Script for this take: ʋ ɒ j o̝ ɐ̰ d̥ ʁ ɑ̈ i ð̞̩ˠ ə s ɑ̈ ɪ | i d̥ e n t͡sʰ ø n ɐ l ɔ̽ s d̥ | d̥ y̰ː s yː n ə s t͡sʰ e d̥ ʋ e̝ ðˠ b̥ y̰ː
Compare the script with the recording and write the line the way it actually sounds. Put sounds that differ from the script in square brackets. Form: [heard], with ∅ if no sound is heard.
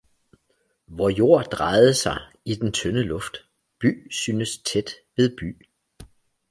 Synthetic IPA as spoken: ʋ ɒ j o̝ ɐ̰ d̥ ʁ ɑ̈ [ɪ] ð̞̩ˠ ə s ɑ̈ ɪ | i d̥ e n t͡sʰ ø n [ə] l ɔ̽ [f] d̥ | [b̥] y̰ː s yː n ə s t͡sʰ e d̥ ʋ e̝ ðˠ b̥ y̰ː